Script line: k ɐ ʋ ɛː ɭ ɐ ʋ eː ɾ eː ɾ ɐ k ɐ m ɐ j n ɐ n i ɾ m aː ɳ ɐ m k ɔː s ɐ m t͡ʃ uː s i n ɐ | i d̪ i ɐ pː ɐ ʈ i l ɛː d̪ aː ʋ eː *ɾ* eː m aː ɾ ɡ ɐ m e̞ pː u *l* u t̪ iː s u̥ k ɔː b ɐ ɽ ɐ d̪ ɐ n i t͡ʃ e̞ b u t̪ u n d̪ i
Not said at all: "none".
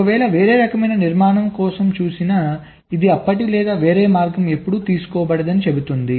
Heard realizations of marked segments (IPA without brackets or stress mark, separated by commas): ɾ, ɽ